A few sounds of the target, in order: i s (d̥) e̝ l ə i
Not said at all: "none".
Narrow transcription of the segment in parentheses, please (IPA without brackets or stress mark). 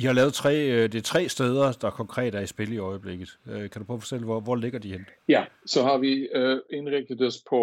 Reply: b̥